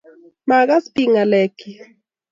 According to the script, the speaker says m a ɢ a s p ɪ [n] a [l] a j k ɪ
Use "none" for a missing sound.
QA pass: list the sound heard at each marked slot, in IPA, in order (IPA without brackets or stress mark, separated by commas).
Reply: ŋ, l